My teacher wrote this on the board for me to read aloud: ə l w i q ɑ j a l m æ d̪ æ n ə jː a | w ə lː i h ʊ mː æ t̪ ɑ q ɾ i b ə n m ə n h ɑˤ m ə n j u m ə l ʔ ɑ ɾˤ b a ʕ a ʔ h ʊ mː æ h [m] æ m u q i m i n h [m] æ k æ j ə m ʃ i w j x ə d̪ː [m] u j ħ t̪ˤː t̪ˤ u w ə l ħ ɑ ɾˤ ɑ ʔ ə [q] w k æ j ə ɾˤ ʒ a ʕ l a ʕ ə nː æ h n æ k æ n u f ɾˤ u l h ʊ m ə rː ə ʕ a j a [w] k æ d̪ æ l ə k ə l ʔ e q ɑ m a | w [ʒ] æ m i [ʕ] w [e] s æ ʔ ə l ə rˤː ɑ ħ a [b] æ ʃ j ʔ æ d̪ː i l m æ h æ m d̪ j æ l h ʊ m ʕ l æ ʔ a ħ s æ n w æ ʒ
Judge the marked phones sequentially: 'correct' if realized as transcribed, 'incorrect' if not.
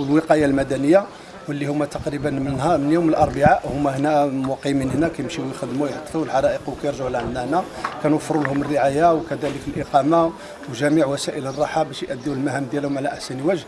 incorrect, incorrect, correct, correct, correct, correct, correct, incorrect, correct

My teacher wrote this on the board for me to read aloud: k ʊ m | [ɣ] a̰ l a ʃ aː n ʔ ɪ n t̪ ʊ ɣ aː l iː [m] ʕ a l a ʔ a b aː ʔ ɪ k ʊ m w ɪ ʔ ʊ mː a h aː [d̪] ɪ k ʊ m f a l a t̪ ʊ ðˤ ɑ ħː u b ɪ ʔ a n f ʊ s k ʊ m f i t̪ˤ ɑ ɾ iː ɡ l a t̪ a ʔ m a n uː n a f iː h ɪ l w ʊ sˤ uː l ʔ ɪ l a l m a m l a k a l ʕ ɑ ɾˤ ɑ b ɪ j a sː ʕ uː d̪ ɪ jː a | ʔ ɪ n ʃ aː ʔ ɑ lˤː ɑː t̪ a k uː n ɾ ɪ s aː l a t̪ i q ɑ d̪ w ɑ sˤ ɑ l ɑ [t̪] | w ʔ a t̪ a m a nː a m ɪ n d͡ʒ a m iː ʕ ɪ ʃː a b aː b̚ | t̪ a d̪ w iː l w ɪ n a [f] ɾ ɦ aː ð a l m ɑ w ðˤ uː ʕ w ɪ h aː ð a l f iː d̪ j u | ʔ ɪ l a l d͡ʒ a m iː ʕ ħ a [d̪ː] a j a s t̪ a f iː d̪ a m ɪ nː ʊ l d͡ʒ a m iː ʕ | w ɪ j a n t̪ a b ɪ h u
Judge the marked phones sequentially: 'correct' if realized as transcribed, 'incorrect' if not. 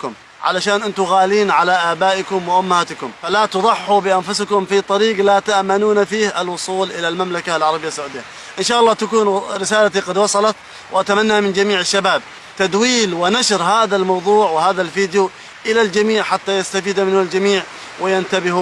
incorrect, incorrect, incorrect, correct, incorrect, incorrect

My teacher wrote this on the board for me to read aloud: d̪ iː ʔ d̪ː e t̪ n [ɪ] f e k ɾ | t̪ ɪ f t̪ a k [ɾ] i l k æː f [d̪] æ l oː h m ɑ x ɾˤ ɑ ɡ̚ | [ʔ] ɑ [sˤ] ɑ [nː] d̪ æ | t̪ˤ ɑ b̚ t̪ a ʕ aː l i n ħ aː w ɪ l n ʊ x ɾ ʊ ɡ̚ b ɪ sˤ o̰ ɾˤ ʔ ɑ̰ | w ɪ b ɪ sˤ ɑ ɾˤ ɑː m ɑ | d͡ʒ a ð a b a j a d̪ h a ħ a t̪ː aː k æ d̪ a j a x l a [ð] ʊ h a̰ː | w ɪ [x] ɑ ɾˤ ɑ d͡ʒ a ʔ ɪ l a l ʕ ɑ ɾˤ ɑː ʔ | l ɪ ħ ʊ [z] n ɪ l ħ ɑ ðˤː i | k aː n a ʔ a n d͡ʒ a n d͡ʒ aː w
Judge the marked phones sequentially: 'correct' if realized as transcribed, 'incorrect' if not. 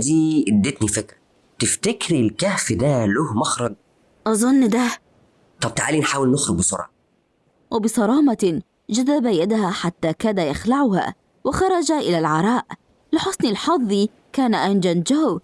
incorrect, correct, correct, correct, incorrect, correct, incorrect, correct, incorrect

